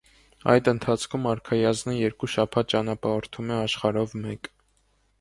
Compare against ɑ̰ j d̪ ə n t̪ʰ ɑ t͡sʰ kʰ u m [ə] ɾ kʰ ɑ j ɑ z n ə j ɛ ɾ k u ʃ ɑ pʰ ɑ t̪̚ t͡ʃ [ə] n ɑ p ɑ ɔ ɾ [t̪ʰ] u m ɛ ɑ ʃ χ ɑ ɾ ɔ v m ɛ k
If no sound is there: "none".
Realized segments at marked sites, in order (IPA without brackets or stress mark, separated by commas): ɑ, ɑ, t̪ʰ